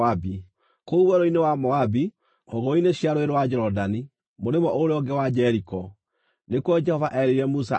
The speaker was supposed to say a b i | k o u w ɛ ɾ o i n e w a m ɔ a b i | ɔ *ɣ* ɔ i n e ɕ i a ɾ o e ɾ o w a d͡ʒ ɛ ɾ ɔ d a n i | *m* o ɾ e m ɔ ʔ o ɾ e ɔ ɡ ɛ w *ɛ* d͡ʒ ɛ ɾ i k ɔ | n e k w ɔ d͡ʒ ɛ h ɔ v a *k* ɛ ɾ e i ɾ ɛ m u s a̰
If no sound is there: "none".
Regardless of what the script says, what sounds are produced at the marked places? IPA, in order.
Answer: ɣ, m, a, ʔ

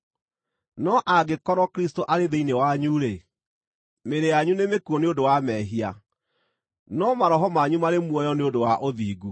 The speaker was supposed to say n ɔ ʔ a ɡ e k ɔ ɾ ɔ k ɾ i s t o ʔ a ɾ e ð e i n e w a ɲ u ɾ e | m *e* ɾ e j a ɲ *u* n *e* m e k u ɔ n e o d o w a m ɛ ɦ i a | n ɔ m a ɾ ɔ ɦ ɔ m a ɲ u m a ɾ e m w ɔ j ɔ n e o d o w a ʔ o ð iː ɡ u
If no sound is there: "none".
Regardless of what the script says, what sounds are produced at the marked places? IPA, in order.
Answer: e, u, e

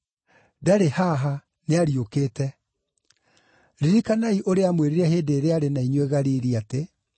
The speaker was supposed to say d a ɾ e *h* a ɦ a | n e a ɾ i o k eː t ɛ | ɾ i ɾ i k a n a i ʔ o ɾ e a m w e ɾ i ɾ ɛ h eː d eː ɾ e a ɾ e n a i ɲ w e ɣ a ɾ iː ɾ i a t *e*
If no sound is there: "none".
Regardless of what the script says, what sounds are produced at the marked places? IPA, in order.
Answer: h, e

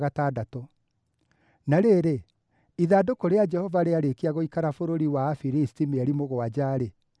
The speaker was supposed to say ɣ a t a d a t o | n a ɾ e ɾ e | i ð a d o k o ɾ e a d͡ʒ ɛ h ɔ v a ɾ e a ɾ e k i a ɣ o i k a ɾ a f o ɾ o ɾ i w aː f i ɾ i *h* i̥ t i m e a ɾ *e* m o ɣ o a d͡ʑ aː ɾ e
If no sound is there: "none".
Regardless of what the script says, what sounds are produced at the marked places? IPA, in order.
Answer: s, i

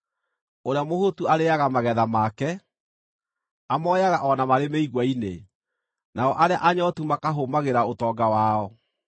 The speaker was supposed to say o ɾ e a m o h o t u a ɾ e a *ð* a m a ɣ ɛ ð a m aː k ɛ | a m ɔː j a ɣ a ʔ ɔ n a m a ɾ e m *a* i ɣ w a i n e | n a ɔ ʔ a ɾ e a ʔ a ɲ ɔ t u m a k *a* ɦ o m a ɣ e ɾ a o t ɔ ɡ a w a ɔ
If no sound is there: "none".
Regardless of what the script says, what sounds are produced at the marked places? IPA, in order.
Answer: ɣ, e, a

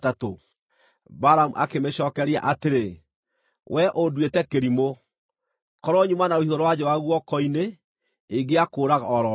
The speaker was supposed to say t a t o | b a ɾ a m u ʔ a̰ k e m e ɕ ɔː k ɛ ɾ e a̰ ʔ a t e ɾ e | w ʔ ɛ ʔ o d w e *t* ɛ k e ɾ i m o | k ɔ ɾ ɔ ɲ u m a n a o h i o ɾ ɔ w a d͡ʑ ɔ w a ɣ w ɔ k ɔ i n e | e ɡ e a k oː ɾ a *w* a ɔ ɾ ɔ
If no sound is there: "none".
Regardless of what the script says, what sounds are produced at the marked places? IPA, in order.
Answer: t, ɣ

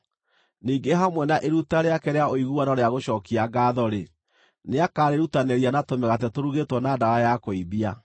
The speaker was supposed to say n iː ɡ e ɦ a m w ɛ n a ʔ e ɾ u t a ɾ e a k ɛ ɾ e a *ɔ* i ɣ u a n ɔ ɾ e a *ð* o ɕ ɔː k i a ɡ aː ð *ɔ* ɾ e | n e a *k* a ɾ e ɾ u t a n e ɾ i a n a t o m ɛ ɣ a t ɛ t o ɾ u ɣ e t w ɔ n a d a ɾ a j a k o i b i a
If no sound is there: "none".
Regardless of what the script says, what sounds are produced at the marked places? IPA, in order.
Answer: o, ɣ, ɔ, k

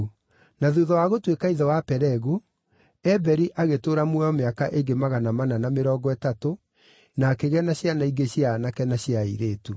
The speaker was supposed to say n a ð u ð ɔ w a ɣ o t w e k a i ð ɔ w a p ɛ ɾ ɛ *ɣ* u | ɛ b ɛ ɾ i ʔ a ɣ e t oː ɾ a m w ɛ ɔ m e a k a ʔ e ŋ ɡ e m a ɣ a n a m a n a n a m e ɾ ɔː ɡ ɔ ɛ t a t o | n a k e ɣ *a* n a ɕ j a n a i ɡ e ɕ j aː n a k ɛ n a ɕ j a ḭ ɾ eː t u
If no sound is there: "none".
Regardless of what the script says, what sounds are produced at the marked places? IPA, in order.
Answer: ɣ, ɛ

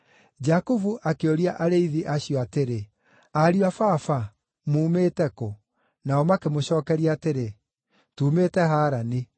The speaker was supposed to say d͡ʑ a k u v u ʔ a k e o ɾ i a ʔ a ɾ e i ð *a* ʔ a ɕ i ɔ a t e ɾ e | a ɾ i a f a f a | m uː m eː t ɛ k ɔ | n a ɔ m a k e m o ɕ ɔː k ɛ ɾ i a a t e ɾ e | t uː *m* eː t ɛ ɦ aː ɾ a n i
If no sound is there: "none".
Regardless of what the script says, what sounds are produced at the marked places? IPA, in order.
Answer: i, m

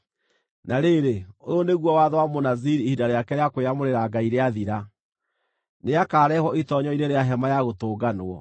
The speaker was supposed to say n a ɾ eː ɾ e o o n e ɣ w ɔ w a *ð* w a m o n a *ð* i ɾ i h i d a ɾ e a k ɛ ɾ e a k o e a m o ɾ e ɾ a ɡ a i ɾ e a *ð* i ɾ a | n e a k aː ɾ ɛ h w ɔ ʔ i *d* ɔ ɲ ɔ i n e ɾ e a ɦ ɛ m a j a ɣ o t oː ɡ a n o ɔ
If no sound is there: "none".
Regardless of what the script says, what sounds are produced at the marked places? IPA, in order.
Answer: ð, z, ð, t

